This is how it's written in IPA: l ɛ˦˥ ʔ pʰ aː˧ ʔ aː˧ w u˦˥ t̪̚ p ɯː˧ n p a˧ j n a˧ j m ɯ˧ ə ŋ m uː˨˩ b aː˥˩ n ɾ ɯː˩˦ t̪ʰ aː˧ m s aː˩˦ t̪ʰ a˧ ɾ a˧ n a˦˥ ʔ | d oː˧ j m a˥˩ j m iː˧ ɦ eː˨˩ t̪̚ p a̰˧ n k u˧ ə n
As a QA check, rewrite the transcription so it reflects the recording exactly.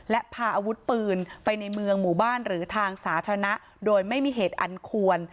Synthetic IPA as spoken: l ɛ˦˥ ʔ pʰ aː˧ ʔ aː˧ w u˦˥ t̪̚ p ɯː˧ n p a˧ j n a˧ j m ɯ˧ ə ŋ m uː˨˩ b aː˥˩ n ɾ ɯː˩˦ t̪ʰ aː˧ ŋ s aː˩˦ t̪ʰ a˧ ɾ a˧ n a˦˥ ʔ | d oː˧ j m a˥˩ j m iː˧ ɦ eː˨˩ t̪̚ ʔ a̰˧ n kʰ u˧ ə n